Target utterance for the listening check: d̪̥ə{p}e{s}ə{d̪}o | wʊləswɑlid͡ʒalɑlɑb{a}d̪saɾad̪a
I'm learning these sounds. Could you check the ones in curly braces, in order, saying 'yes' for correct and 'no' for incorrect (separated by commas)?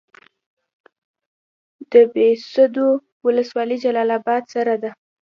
no, yes, yes, no